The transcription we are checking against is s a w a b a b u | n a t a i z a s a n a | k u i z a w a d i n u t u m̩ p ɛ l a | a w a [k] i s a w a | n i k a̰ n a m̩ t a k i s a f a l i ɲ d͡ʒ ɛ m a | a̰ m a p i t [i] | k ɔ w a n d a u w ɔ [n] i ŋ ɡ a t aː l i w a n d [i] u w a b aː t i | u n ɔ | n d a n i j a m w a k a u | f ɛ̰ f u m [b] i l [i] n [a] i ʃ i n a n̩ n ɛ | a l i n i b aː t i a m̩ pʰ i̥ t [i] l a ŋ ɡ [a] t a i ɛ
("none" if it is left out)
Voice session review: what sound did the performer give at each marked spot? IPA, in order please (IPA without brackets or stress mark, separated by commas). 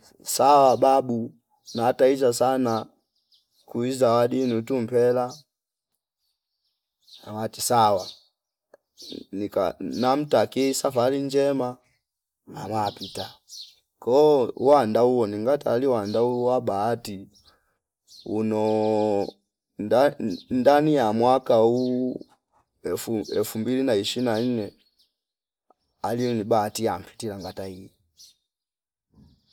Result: t, a, n, a, b, i, a, i, a